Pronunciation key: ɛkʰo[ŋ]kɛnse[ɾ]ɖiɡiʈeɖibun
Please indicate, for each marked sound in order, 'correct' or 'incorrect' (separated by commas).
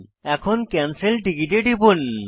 incorrect, incorrect